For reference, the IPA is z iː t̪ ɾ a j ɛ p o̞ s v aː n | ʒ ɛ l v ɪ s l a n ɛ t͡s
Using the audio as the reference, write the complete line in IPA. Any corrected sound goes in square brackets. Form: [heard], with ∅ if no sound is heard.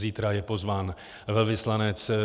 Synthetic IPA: z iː t̪ ɾ a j ɛ p o̞ [z] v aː n | [v] ɛ l v ɪ s l a n ɛ t͡s